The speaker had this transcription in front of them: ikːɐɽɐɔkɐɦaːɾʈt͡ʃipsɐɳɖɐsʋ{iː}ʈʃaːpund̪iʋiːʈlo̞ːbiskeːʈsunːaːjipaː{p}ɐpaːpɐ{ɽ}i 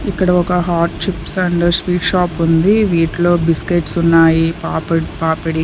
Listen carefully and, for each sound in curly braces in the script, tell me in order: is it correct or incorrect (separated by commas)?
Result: correct, correct, correct